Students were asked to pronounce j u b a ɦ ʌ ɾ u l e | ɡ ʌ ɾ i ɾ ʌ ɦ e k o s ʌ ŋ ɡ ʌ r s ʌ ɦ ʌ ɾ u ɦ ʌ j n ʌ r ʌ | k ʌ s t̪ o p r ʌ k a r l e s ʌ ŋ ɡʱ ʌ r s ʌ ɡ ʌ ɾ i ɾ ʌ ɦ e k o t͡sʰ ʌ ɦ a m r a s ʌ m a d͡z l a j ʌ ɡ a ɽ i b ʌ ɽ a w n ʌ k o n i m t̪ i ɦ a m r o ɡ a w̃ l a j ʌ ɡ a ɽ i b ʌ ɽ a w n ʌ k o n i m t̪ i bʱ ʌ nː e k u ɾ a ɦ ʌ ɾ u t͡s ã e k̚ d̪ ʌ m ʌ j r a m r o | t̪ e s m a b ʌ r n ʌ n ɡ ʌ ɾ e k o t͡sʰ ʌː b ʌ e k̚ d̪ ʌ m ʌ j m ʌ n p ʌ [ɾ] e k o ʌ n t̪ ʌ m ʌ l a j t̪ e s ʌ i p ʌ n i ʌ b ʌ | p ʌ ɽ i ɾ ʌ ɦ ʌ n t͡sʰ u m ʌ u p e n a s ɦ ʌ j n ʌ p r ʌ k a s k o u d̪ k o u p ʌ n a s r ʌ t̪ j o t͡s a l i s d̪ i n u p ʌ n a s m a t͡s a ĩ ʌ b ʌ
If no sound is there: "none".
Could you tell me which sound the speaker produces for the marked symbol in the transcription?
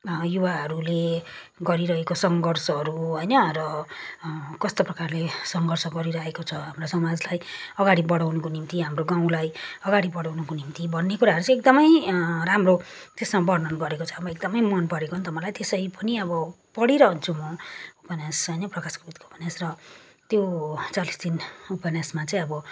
ɽ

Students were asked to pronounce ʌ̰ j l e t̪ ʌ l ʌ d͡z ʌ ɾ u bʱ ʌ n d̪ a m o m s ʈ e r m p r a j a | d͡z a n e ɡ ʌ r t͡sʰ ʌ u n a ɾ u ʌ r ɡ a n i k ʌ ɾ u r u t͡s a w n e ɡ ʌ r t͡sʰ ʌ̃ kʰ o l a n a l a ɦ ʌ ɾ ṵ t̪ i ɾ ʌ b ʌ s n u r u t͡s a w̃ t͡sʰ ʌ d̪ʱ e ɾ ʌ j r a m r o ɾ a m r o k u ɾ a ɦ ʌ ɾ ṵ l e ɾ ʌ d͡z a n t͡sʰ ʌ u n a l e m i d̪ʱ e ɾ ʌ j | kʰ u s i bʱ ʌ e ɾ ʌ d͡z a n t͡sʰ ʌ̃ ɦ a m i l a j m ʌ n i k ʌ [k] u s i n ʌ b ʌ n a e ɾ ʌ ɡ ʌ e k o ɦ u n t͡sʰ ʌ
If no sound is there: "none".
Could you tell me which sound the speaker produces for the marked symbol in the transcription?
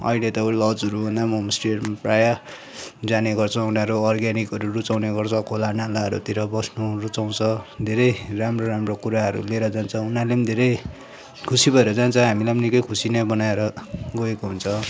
kʰ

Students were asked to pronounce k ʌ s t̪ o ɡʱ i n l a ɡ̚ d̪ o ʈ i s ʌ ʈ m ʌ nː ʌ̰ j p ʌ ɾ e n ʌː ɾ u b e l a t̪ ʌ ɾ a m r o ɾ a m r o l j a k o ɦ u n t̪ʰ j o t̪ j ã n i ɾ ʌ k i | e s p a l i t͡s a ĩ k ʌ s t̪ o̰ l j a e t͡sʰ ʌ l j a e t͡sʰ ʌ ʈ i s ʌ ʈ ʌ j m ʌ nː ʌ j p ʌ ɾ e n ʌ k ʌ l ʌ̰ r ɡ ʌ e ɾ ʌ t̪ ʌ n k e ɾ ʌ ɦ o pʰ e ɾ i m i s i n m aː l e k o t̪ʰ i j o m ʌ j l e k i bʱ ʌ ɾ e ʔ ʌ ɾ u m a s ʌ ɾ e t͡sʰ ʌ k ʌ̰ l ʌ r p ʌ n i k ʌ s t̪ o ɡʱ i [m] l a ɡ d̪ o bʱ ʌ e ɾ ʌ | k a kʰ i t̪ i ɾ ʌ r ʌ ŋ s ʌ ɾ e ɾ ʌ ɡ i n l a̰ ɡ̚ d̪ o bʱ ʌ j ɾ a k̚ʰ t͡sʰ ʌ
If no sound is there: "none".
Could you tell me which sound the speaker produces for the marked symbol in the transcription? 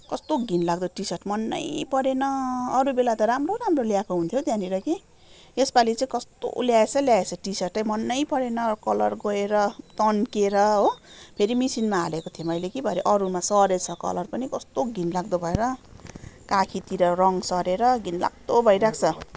n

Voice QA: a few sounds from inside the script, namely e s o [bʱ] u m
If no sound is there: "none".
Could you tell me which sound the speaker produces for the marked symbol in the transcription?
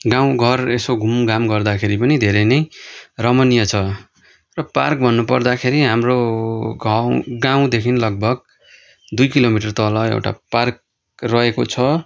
ɡʱ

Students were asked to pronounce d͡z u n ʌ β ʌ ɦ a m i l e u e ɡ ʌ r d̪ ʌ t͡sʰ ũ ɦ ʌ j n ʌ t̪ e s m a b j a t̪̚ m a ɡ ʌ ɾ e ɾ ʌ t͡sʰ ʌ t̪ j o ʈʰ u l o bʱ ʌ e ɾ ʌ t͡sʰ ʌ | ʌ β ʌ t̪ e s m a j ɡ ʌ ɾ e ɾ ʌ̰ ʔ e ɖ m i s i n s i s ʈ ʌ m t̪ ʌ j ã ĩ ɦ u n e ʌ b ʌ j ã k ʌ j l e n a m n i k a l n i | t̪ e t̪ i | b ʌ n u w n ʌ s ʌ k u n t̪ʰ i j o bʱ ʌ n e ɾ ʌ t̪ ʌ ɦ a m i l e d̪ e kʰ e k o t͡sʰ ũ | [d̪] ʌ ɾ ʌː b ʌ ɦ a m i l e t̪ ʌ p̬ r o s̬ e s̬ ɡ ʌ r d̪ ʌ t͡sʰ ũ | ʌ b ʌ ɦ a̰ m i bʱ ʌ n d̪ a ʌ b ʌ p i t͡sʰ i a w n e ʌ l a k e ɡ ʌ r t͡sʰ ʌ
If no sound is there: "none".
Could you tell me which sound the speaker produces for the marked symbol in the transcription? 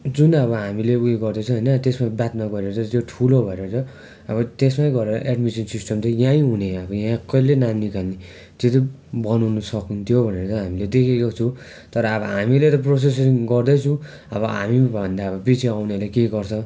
t̪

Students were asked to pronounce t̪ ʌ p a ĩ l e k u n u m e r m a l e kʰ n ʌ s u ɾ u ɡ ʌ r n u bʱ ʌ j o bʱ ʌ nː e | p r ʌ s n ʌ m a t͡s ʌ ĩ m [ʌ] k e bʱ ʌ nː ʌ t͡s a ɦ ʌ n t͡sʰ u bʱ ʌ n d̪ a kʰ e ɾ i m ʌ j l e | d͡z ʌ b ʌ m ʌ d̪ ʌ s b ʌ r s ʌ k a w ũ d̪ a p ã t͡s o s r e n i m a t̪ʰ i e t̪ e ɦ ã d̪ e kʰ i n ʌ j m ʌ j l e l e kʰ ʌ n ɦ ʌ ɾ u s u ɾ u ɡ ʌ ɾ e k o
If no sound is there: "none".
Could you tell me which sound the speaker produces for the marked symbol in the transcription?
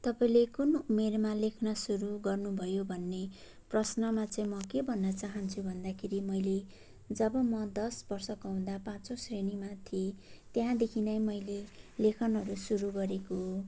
ʌ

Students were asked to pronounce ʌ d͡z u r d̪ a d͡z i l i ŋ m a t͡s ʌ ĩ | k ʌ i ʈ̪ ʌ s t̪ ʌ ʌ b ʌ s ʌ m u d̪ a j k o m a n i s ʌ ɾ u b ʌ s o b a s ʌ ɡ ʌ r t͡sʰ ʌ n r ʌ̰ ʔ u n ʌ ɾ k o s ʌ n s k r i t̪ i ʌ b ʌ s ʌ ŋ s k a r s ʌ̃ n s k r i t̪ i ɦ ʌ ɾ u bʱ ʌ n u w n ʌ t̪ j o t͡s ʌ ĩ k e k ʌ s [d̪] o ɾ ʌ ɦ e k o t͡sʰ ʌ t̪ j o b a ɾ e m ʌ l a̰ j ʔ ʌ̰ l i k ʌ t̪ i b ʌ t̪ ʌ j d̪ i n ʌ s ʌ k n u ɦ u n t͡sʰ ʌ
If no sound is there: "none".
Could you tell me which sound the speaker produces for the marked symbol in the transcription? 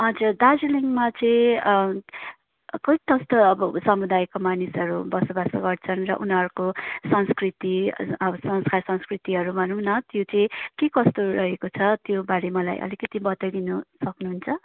t̪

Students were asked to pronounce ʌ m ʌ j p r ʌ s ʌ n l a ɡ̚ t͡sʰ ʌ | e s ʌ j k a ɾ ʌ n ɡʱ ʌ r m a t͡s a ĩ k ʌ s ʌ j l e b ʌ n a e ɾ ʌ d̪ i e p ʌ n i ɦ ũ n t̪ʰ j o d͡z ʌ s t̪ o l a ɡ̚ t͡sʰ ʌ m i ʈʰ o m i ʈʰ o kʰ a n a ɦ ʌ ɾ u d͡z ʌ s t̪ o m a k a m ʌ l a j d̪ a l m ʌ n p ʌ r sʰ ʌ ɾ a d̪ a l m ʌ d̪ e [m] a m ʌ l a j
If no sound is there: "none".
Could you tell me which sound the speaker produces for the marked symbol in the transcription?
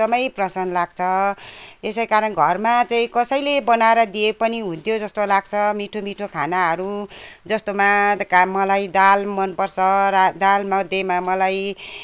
m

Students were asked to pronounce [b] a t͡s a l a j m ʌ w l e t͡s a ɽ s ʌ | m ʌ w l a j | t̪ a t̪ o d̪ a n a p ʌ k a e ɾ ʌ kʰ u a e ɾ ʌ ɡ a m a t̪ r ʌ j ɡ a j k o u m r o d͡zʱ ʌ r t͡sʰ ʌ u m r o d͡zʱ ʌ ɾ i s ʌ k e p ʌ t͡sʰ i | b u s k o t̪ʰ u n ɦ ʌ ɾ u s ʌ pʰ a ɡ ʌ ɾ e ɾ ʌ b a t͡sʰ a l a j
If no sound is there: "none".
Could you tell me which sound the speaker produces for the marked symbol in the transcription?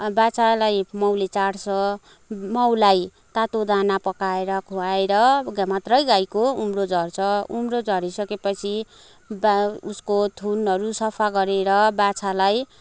b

